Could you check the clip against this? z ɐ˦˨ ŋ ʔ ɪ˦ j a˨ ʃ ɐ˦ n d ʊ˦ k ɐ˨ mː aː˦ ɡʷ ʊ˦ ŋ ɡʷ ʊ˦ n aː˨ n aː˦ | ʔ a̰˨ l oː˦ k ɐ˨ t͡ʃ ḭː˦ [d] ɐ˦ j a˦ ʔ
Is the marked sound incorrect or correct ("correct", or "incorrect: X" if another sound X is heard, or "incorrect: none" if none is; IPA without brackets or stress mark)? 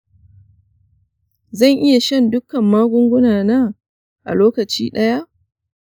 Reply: incorrect: ɗ